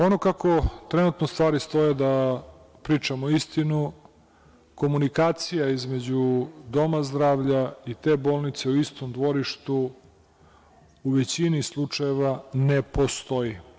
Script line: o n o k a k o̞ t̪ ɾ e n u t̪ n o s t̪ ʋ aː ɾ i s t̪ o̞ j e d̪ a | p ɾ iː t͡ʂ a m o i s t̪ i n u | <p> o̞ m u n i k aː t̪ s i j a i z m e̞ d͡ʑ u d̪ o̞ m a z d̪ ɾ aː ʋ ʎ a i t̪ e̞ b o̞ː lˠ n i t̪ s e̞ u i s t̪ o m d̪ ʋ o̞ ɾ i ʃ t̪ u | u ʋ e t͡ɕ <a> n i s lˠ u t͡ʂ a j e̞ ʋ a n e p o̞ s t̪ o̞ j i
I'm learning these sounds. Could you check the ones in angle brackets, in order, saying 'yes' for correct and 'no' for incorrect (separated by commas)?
no, no